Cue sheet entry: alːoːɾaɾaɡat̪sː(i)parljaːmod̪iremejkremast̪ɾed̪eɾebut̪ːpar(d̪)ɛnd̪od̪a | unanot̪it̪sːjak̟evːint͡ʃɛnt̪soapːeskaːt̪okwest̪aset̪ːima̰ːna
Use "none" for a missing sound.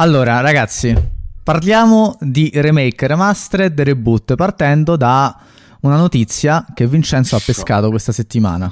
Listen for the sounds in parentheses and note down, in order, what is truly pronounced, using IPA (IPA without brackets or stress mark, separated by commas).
i, t̪